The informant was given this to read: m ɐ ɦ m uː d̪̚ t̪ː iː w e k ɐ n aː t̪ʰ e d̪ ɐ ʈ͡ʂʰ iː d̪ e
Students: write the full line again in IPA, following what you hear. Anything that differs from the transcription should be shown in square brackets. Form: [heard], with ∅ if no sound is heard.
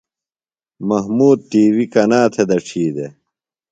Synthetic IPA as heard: m ɐ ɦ m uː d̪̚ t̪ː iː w [i] k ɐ n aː t̪ʰ e d̪ ɐ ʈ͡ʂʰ iː d̪ e